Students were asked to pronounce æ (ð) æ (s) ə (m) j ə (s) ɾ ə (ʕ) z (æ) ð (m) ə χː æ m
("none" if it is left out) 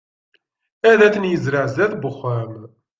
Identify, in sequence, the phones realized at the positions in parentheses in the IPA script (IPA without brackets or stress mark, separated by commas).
ð, θ, n, z, ʕ, æ, b